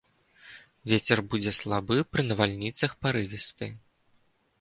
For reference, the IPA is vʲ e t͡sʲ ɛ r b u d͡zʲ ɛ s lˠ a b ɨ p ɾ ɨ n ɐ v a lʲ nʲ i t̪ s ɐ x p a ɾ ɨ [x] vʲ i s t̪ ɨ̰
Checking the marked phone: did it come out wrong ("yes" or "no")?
yes